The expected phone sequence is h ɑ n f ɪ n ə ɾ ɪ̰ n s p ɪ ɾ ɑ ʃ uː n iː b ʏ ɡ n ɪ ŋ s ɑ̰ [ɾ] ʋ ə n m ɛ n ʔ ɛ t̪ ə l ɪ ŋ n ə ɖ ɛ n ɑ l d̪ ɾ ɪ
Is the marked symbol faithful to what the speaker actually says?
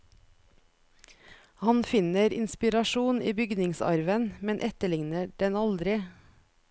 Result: yes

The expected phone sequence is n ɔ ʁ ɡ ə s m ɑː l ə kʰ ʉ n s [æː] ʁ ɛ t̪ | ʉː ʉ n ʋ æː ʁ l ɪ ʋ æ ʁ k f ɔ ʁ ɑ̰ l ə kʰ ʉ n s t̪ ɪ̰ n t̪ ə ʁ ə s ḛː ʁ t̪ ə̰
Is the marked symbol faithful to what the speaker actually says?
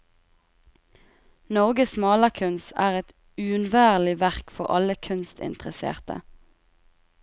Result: yes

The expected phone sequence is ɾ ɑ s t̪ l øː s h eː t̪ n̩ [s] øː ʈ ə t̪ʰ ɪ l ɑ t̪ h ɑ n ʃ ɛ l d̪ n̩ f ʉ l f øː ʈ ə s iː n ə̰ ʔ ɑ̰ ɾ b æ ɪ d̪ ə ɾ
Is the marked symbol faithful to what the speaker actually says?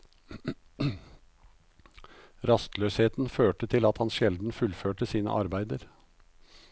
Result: no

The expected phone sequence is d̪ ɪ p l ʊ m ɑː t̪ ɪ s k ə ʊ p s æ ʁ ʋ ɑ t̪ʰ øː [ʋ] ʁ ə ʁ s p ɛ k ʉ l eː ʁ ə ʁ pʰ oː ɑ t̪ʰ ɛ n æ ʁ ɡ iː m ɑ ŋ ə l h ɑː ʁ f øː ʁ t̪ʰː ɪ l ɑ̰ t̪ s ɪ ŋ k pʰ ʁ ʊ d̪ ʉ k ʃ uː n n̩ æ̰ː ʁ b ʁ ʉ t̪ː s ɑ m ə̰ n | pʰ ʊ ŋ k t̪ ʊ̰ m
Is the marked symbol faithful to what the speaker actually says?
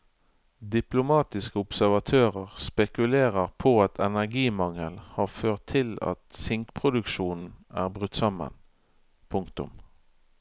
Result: no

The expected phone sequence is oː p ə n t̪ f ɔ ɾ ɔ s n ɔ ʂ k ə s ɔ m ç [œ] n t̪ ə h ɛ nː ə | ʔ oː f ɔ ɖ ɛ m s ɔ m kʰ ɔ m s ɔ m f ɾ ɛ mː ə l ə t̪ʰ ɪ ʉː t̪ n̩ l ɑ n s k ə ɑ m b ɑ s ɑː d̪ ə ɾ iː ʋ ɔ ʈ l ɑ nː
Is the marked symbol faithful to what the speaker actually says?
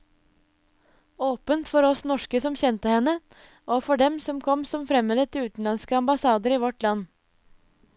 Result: no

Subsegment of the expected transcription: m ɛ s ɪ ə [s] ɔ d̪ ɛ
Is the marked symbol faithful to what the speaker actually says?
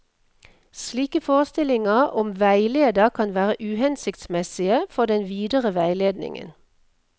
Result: no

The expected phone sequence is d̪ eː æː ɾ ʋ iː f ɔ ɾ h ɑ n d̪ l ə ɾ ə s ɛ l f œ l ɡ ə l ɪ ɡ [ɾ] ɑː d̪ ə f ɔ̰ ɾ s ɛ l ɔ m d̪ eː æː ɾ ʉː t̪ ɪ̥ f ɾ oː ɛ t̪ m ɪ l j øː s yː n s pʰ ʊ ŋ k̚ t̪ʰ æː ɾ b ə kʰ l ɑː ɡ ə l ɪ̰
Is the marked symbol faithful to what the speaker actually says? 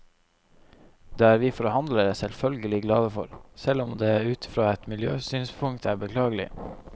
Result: no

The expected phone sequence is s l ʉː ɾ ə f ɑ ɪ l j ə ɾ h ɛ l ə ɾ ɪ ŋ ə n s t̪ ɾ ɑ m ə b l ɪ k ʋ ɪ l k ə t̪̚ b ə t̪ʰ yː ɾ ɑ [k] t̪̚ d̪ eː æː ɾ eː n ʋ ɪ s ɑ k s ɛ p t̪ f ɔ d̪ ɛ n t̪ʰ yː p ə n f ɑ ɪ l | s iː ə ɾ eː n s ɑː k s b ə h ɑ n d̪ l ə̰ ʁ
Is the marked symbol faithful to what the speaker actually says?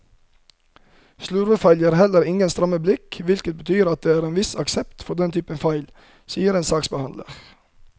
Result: no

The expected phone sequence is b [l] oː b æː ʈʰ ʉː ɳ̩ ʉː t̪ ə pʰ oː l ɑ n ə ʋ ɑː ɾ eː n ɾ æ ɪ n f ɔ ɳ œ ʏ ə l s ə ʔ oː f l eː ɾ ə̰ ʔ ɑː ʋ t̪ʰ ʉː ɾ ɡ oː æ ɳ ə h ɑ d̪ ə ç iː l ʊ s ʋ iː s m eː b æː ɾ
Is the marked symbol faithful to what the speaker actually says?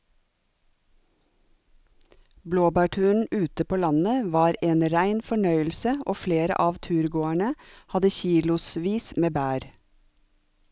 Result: yes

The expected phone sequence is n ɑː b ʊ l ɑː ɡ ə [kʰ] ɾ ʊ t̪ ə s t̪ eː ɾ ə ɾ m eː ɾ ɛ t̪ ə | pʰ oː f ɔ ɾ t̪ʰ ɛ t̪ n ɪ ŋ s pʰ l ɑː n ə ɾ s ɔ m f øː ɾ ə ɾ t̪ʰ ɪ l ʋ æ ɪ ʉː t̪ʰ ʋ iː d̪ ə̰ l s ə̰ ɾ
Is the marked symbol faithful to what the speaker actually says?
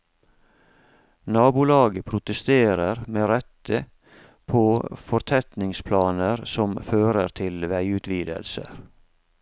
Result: no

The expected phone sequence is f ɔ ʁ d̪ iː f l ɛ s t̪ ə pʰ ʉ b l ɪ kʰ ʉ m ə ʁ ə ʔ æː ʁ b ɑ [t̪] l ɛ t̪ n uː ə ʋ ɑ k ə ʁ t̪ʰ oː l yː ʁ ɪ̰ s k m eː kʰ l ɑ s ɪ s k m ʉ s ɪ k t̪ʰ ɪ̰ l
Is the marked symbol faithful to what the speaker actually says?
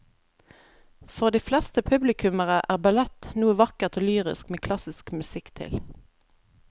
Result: no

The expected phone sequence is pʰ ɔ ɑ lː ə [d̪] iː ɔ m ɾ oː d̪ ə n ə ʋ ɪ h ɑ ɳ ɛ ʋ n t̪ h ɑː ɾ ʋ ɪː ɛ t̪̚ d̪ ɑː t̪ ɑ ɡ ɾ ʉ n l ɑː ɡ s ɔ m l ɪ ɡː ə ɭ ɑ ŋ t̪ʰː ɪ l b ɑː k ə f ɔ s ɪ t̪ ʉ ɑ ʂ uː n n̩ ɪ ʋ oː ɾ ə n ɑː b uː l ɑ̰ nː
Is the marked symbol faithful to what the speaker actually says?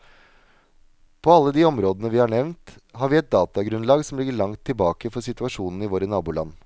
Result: yes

